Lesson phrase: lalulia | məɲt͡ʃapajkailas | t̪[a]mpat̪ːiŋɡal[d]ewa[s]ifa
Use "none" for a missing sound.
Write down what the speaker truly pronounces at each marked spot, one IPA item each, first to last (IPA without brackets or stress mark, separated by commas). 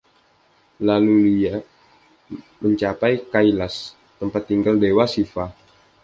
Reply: ə, d, s